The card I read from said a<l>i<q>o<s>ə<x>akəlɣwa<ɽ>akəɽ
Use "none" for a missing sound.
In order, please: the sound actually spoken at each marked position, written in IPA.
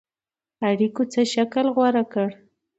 ɽ, k, t͡s, ʃ, ɾ

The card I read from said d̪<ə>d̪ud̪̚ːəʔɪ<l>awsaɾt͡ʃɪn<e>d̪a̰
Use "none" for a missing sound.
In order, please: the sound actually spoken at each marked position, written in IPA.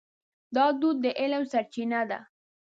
ɑ, l, a

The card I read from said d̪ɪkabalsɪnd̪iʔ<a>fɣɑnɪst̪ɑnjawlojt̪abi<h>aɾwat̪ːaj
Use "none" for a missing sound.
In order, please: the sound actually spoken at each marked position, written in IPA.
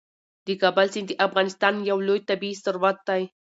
a, s

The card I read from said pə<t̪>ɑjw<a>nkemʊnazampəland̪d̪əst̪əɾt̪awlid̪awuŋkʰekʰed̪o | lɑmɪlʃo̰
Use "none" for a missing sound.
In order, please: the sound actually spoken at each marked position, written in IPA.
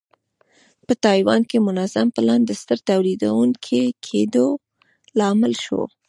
t̪, ɑ

